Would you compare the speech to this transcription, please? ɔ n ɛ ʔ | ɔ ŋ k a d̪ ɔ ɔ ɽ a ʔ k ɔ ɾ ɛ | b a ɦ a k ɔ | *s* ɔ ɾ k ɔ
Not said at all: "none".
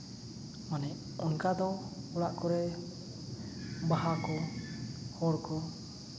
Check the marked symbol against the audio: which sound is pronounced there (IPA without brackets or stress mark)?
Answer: h